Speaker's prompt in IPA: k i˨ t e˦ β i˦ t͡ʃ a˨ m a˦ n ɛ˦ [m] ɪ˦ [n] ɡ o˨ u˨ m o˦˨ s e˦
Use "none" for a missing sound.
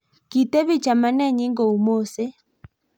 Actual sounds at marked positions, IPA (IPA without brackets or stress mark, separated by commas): ɲ, ŋ